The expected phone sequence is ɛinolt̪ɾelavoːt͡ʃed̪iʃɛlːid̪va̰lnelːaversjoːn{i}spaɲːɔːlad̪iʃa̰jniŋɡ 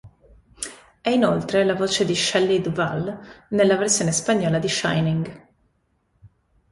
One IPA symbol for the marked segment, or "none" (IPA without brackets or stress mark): e